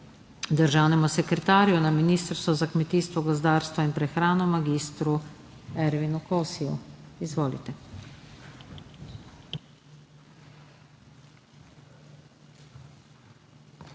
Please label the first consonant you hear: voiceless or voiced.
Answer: voiced